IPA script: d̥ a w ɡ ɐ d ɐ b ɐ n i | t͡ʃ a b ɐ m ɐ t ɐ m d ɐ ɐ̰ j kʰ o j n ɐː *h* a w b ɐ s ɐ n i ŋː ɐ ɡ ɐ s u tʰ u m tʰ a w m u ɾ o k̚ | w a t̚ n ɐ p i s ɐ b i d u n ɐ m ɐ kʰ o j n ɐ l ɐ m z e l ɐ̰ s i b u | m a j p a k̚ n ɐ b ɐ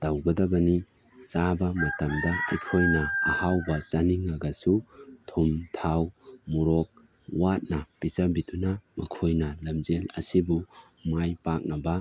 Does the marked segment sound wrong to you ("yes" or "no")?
no